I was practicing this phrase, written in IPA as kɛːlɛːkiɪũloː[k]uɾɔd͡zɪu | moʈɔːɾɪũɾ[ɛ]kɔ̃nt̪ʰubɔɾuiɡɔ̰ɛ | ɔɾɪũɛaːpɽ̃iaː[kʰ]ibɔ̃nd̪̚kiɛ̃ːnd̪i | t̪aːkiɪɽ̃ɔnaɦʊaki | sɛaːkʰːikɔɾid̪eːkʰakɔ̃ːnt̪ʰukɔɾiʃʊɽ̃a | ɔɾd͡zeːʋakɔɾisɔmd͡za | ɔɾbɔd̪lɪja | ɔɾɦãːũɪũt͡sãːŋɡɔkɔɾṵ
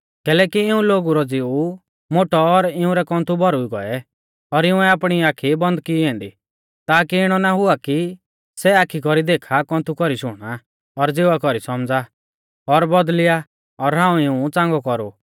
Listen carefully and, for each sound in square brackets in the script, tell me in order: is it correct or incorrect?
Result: incorrect: ɡ, correct, correct

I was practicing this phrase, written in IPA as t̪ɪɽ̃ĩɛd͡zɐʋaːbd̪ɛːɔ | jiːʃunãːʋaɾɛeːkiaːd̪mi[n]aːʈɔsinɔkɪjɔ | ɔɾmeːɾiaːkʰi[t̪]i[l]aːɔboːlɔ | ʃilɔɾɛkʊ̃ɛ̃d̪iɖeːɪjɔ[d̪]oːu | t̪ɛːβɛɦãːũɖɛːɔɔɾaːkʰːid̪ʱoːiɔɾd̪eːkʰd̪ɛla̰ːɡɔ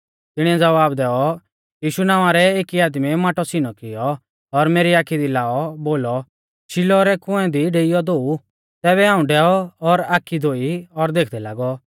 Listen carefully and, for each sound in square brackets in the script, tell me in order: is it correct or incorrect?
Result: incorrect: m, incorrect: d̪, correct, correct

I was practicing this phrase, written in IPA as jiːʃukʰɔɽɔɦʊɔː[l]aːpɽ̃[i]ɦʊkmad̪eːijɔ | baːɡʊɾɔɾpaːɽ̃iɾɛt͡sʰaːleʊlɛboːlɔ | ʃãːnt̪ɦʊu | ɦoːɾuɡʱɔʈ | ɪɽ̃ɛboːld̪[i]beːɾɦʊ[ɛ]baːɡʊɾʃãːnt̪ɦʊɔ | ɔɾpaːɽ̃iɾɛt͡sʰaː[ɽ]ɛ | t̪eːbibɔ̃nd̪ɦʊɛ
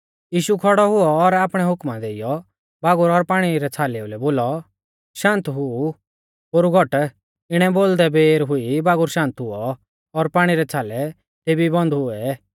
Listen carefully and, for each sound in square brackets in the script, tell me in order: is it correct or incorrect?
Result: incorrect: ɾ, incorrect: ɛ, incorrect: ɛ, incorrect: i, incorrect: l

